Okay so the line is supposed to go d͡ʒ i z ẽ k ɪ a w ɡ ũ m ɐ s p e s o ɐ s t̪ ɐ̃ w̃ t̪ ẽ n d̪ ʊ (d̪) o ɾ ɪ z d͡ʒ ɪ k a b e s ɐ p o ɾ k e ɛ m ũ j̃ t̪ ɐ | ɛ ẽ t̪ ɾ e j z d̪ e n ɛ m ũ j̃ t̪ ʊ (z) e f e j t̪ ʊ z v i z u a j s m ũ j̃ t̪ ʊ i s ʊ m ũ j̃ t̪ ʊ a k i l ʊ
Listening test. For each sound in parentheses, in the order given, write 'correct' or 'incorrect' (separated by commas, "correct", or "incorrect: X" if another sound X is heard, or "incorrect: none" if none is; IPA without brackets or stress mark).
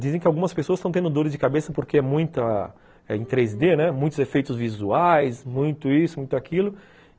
correct, correct